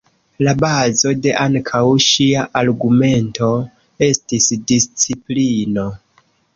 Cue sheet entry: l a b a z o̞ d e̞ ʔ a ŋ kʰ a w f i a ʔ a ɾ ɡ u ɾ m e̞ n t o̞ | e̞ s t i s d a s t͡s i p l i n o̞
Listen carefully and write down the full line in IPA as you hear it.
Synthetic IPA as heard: l a b a z o̞ d e̞ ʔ a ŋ kʰ a w ʃ i a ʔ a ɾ ɡ u m e̞ n t o̞ | e̞ s t i s d i s t͡s i p l i n o̞